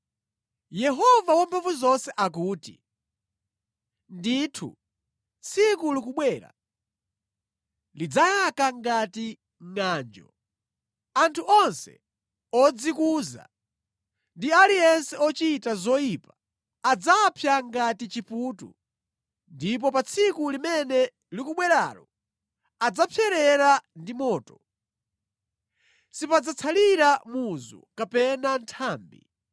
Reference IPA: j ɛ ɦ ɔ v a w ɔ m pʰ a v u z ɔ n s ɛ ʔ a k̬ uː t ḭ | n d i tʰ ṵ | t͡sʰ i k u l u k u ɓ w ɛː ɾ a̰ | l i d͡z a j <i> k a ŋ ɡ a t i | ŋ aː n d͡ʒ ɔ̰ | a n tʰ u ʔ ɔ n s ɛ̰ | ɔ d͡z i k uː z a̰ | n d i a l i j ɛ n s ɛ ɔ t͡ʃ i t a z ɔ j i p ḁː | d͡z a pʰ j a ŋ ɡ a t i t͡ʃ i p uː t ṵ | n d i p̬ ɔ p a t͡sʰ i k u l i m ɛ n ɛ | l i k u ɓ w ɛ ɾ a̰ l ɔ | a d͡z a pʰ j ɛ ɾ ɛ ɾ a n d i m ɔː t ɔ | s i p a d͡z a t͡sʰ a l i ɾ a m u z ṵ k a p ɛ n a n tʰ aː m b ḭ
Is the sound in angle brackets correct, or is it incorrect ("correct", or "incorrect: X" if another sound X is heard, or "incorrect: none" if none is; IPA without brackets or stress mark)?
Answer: incorrect: a